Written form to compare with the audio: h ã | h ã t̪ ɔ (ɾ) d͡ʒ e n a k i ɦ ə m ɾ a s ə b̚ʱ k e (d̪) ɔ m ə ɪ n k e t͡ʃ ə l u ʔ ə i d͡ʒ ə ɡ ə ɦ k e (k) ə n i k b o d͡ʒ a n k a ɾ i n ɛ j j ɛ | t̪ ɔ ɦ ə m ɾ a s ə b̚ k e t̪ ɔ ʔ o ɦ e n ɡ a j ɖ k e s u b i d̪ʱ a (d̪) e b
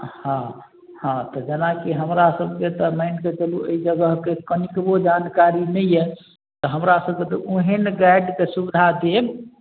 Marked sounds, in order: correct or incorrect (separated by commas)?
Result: incorrect, incorrect, correct, correct